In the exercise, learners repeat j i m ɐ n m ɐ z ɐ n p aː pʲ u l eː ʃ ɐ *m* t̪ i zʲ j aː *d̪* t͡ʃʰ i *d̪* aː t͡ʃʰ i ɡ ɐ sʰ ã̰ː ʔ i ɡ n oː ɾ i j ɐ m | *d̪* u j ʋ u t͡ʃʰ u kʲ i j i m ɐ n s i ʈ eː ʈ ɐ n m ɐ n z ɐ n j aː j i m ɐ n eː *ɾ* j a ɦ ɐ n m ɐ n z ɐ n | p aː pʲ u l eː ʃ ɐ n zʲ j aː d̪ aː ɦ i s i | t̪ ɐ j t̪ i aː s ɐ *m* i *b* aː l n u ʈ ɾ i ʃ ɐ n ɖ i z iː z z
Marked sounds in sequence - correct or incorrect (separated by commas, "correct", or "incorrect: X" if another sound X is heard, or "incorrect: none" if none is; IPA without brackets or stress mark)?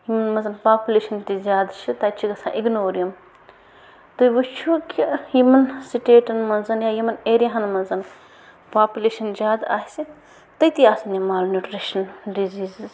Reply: incorrect: n, correct, incorrect: t̪, incorrect: t̪, correct, incorrect: n, incorrect: m